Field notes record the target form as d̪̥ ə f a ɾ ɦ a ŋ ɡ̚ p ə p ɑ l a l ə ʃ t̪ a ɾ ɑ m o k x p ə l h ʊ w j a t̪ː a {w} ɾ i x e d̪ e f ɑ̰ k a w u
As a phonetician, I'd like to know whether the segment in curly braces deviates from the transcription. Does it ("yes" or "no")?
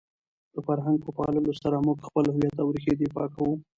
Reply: no